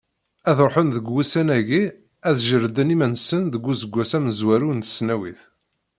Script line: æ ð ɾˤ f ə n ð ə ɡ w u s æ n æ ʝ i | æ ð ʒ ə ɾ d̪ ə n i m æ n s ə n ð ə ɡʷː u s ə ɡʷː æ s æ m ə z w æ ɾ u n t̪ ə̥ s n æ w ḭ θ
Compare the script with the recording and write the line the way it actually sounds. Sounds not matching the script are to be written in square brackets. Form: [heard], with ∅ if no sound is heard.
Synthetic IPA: æ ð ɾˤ [ħ] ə n ð ə ɡ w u s æ n æ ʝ i | æ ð ʒ ə ɾ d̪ ə n i m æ n s ə n ð ə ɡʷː u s ə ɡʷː æ s æ m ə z w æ ɾ u n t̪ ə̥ s n æ w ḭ θ